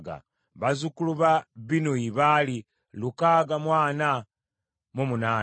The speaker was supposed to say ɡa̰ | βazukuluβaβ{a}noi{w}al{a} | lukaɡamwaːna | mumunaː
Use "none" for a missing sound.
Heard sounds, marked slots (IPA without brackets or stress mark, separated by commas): i, β, i